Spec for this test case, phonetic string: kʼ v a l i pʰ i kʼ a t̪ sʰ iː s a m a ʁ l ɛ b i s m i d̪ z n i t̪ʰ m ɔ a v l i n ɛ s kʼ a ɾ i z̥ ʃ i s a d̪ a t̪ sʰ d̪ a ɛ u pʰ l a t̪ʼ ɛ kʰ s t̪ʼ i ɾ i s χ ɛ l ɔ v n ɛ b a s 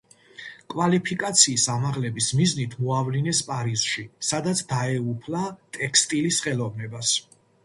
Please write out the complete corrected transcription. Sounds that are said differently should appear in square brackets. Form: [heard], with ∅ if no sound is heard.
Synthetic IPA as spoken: kʼ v a l i pʰ i kʼ a t̪ sʰ iː s a m a ʁ l ɛ b i s m i [∅] z n i t̪ʰ m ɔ a v l i n ɛ s [pʼ] a ɾ i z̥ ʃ i s a d̪ a t̪ sʰ d̪ a ɛ u pʰ l a t̪ʼ ɛ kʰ s t̪ʼ i [l] i s χ ɛ l ɔ v n ɛ b a s